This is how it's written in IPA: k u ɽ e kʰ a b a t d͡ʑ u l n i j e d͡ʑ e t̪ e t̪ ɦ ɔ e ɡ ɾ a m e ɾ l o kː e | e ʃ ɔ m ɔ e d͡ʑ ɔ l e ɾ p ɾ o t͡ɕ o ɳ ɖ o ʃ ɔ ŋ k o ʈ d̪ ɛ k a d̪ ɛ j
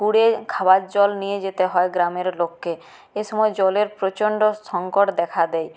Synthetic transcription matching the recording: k u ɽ e kʰ a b a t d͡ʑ ɔ l n i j e d͡ʑ e t̪ e ɦ ɔ e ɡ ɾ a m e ɾ l o kː e | e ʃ ɔ m ɔ e d͡ʑ ɔ l e ɾ p ɾ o t͡ɕ o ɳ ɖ o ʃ ɔ ŋ k o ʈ d̪ ɛ kʰ a d̪ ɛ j